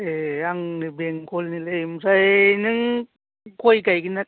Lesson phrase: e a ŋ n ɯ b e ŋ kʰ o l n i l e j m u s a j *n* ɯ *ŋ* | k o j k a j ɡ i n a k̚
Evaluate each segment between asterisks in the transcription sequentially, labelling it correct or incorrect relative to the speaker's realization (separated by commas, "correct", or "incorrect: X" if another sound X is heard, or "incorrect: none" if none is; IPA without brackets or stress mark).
correct, correct